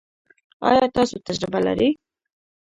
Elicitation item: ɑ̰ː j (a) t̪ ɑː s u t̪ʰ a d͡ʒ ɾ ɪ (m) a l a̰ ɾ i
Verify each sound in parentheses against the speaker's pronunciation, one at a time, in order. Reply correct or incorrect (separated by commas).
incorrect, incorrect